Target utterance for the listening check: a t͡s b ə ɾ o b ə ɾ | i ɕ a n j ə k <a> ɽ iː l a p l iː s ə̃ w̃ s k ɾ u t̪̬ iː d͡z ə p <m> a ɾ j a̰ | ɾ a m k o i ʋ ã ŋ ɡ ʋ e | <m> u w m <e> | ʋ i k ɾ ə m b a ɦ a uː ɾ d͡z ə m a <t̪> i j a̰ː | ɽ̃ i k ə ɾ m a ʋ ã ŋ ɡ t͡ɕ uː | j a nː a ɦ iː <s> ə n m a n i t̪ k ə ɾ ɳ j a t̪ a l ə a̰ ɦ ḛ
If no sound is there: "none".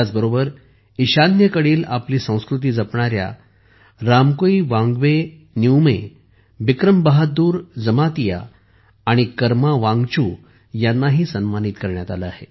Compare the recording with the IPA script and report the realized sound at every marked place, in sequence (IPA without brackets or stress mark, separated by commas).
ə, ɳ, n, e, t̪, s